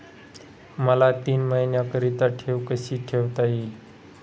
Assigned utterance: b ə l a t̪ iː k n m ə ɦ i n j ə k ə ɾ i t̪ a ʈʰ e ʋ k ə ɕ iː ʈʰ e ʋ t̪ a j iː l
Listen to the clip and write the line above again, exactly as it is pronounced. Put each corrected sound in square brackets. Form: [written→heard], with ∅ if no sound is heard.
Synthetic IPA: [b→m] ə l a t̪ iː [k→∅] n m ə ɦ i n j [ə→a] k ə ɾ i t̪ a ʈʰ e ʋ k ə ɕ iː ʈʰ e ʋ t̪ a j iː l